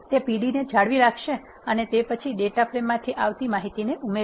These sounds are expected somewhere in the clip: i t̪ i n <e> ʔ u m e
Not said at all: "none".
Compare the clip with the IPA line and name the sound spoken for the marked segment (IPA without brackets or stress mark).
e